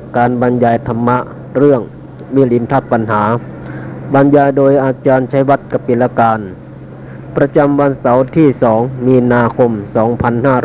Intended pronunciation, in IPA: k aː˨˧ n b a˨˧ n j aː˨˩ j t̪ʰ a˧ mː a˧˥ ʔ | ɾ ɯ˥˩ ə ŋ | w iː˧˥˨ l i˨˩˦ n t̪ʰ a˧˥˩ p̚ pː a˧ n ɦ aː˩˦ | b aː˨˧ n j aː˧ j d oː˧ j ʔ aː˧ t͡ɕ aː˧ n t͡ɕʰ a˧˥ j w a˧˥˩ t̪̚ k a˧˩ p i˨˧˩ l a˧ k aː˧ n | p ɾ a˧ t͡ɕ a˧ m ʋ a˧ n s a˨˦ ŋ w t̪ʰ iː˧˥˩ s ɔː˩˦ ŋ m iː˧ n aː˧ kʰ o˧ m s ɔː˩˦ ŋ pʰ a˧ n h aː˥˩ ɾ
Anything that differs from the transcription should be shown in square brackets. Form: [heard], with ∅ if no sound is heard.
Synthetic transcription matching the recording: k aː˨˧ n b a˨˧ n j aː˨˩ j t̪ʰ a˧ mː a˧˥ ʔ | ɾ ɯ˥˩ ə ŋ | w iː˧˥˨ l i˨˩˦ n t̪ʰ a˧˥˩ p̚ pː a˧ n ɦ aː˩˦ | b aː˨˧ n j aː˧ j d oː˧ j ʔ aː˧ t͡ɕ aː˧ n t͡ɕʰ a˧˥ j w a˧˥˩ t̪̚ k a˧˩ p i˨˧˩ l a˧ k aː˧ n | p ɾ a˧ t͡ɕ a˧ m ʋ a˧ n s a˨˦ [∅] w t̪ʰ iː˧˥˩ s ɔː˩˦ ŋ m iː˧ n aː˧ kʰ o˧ m s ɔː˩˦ ŋ pʰ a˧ n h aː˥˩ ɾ